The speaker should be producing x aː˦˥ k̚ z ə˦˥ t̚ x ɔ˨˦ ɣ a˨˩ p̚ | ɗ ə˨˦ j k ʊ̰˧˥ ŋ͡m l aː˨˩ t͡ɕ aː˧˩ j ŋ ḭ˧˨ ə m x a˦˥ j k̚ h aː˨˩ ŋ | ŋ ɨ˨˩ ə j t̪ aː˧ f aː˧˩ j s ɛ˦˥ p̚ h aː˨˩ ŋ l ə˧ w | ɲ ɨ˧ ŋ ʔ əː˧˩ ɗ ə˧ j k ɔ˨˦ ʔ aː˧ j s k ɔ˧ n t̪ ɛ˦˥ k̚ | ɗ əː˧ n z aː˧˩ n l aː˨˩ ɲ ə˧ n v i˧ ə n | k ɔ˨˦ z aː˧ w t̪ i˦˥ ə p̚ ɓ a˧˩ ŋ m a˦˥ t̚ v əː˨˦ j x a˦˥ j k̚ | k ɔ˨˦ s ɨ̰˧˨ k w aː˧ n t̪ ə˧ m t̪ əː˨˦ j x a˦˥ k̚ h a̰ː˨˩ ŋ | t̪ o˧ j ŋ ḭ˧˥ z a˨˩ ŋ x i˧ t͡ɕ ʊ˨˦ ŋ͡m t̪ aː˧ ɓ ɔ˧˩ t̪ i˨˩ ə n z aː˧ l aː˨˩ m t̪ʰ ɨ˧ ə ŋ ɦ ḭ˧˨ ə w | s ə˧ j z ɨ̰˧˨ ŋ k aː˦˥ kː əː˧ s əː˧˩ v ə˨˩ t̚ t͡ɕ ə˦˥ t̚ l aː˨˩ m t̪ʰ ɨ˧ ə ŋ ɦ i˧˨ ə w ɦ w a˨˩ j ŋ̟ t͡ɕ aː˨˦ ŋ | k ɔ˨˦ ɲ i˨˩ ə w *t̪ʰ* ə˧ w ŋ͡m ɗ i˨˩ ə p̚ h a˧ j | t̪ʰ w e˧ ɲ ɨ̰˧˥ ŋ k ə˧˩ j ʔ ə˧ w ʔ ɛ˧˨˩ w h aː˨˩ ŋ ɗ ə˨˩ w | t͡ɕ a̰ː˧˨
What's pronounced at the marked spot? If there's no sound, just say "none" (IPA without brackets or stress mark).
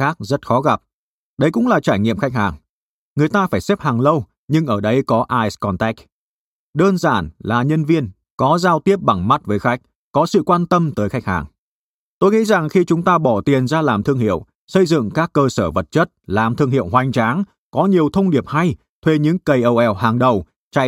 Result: t̪ʰ